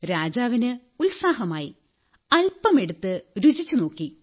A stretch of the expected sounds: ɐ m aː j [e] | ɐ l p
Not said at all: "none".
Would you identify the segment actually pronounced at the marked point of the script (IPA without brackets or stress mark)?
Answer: i